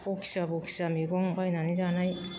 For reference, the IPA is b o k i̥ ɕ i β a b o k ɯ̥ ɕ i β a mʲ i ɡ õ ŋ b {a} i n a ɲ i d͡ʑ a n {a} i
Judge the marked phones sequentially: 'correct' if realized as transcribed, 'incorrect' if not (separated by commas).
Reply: correct, correct